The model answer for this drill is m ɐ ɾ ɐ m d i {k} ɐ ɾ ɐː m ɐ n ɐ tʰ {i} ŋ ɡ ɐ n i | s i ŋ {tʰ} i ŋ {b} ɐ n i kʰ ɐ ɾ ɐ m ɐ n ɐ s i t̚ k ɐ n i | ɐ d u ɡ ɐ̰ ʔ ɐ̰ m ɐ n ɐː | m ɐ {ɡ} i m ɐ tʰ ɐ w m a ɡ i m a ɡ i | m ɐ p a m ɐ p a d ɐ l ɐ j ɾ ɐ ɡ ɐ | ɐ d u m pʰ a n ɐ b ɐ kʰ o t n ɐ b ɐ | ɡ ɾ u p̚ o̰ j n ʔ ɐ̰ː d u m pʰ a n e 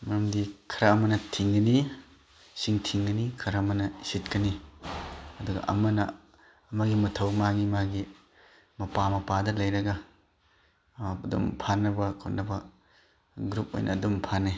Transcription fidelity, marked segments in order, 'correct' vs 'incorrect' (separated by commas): incorrect, correct, correct, incorrect, correct